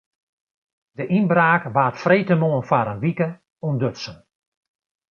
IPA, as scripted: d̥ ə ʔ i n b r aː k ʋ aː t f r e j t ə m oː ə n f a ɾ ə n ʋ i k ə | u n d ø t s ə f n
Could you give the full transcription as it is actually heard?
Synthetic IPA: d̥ ə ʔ i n b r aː k ʋ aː t f r e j t ə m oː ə n f a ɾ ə n ʋ i k ə | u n d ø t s ə n